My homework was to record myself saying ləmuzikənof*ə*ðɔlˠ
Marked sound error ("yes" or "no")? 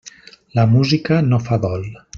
yes